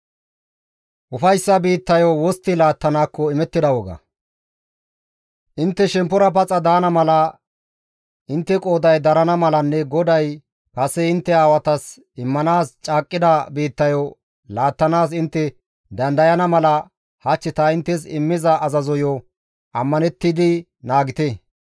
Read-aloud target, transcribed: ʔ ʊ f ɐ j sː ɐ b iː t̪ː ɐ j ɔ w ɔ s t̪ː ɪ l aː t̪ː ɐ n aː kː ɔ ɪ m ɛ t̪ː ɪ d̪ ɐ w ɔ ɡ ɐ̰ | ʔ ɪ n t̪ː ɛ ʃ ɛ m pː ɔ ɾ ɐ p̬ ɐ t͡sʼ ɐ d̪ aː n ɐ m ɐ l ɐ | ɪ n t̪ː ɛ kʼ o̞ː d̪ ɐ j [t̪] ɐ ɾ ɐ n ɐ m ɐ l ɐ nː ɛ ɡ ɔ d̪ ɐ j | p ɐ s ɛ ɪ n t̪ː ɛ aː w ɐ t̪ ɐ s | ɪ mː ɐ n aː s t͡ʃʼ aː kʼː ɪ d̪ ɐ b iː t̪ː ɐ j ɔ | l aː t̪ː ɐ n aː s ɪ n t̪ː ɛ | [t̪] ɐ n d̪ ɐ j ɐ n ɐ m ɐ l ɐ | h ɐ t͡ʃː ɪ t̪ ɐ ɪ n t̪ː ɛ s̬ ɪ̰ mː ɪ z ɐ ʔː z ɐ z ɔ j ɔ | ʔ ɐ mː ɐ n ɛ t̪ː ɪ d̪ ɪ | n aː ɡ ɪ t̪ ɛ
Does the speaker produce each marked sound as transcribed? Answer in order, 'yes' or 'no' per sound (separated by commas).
no, no